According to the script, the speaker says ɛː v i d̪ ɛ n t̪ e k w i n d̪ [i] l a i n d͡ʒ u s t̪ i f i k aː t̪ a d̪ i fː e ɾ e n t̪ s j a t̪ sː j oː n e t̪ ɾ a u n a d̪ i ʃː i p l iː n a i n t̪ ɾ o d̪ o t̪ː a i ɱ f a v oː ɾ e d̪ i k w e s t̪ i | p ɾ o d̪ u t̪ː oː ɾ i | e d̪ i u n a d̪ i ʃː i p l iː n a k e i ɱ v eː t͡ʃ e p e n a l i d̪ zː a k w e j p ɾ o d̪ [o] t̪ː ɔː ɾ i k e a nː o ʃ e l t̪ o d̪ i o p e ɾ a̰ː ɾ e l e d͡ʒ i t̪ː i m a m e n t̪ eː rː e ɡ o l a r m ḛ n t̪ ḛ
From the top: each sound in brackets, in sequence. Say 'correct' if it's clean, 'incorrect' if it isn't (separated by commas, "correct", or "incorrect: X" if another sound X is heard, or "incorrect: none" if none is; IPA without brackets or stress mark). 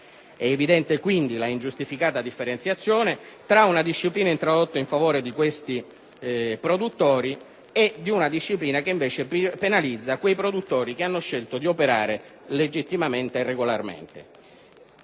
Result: correct, incorrect: u